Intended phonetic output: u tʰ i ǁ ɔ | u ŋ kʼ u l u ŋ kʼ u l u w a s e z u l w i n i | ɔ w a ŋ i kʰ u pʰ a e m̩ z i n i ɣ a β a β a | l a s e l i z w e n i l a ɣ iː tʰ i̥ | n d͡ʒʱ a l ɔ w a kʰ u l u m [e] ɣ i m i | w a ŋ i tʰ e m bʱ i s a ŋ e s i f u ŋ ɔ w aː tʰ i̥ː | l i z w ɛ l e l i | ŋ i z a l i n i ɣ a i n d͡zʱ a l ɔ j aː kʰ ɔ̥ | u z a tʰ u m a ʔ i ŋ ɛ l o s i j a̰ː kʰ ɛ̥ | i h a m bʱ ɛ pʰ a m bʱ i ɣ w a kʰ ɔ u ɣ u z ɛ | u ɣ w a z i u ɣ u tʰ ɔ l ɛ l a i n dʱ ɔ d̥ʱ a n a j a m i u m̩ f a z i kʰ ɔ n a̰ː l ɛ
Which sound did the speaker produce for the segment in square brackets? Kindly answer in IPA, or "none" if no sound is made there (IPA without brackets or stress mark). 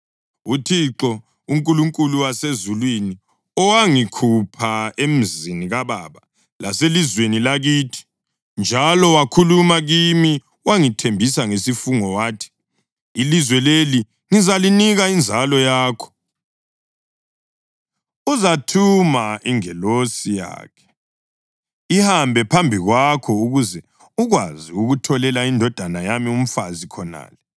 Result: a